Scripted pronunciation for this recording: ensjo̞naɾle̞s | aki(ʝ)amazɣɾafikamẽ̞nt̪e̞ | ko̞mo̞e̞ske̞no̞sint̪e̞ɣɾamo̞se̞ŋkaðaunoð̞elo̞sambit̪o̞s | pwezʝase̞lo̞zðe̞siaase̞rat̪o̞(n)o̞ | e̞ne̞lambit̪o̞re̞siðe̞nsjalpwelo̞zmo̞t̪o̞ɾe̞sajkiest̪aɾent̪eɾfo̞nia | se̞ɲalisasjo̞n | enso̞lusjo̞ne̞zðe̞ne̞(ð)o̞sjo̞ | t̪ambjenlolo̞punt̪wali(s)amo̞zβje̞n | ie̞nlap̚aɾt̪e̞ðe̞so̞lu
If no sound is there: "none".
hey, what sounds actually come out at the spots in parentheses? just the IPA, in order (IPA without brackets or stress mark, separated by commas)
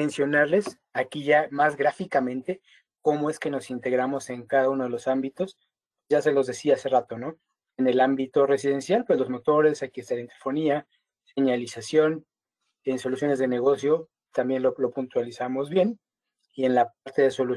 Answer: ʝ, n, ɣ, s